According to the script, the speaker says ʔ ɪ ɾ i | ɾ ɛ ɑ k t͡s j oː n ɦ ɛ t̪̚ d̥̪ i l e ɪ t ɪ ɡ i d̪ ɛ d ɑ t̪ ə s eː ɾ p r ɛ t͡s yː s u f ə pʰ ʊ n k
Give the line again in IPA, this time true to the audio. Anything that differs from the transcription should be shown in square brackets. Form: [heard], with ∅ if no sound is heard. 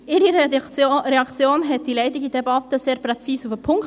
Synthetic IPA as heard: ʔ ɪ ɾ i | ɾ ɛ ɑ k t͡s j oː n ɦ ɛ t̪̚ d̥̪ i l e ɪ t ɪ ɡ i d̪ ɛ [b] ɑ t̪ ə s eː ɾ p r ɛ t͡s [iː] s u f ə pʰ ʊ [ŋ] k